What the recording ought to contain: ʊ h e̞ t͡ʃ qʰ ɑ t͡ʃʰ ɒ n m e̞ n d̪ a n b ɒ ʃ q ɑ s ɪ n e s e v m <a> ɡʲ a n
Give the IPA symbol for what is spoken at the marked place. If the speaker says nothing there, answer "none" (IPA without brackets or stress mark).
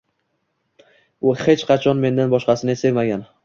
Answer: a